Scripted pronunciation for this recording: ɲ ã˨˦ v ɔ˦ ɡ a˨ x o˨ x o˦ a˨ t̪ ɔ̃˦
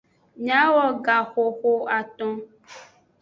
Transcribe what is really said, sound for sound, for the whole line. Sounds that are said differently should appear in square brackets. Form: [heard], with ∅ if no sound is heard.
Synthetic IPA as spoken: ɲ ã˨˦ [w] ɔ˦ ɡ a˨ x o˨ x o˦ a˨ t̪ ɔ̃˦